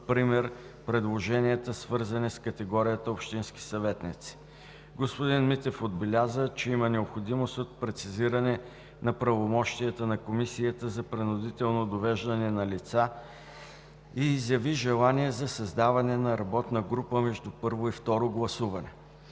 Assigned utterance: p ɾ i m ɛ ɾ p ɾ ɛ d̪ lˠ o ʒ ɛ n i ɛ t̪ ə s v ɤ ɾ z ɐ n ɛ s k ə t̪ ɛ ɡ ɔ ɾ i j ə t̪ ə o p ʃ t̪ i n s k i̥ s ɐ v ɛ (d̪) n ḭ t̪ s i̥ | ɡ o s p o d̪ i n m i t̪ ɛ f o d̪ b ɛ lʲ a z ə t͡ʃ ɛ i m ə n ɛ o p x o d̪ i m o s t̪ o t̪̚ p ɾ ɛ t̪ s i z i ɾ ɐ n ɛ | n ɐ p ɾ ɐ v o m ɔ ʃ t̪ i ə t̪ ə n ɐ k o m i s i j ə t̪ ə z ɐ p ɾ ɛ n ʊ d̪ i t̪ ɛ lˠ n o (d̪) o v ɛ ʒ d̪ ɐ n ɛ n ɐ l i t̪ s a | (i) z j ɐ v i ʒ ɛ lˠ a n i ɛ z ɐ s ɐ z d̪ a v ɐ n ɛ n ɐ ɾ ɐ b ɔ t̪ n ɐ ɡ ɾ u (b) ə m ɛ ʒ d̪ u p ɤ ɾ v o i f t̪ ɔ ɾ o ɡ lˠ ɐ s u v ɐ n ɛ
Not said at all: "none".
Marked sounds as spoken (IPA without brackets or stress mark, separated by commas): t̪, d̪, iː, p